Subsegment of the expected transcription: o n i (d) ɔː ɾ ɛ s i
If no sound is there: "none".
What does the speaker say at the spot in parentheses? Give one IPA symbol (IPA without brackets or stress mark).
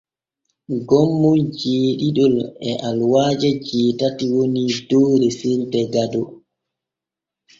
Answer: d